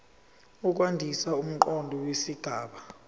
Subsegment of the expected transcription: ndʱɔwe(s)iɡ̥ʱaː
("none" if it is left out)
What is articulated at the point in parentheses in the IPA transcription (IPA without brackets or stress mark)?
s